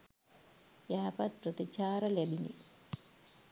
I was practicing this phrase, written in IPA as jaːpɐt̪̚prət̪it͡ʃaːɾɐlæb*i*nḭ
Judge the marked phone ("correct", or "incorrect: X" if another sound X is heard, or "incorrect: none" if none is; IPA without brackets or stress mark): correct